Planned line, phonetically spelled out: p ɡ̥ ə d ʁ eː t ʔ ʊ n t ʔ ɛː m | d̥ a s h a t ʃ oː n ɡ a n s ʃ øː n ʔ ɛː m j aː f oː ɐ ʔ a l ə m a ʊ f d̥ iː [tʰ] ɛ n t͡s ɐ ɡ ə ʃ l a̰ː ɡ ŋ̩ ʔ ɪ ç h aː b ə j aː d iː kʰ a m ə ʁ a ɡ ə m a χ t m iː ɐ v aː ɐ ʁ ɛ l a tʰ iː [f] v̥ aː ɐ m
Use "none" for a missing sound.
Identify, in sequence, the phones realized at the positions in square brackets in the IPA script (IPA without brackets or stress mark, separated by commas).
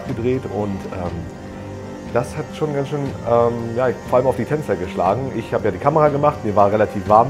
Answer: tʰ, f